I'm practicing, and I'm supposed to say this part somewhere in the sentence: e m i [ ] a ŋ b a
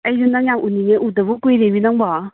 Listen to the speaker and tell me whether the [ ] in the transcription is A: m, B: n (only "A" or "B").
B